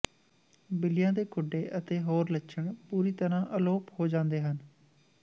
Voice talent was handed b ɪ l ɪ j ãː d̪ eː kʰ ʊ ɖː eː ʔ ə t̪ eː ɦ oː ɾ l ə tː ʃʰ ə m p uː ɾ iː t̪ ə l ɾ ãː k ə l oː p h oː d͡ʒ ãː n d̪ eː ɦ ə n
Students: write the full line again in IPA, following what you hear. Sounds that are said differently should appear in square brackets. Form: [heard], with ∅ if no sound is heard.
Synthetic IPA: b ɪ l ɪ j ãː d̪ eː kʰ ʊ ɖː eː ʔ ə t̪ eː ɦ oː ɾ l ə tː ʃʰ ə [ɳ] p uː ɾ iː t̪ ə [∅] ɾ ãː [ʔ] ə l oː p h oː d͡ʒ ãː n d̪ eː ɦ ə n